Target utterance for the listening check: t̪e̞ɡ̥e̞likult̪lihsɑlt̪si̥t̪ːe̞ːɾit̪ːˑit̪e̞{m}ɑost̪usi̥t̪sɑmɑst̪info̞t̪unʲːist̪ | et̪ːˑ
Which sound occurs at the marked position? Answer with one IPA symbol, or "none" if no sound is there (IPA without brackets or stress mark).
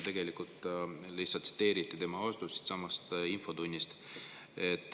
m